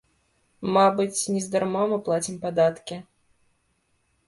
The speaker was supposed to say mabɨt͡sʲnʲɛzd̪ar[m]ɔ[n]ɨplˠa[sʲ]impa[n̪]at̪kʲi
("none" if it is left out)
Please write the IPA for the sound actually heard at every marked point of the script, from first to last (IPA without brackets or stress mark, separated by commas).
m, m, t͡sʲ, d̪